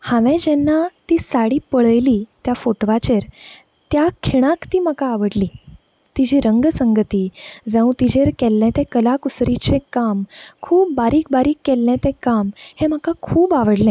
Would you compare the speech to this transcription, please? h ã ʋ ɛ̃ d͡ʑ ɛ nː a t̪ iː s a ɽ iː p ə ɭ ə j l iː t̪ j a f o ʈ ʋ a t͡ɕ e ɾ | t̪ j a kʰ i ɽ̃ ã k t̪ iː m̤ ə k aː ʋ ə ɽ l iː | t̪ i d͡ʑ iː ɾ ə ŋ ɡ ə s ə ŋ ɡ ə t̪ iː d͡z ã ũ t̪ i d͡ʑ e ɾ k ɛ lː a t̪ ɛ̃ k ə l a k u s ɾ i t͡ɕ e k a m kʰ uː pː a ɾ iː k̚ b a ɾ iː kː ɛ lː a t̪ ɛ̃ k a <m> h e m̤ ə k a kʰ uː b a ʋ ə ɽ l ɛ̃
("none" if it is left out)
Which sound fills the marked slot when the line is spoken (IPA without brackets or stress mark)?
m